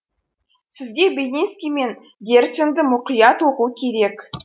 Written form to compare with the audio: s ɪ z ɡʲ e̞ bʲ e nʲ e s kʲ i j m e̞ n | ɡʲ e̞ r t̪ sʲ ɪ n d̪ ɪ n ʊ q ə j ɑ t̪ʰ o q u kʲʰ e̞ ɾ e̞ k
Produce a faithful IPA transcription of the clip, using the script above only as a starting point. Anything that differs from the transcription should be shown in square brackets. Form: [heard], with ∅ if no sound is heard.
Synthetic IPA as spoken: s ɪ z ɡʲ e̞ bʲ e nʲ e s kʲ i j m e̞ n | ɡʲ e̞ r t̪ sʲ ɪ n d̪ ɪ [m] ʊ q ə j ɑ [t̪] o q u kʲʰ e̞ ɾ e̞ k